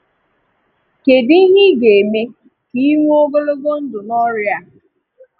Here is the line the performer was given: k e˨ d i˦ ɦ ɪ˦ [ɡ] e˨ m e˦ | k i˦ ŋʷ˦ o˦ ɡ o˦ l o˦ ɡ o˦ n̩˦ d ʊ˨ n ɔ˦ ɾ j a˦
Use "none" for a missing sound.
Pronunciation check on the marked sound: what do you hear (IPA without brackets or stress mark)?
ɡ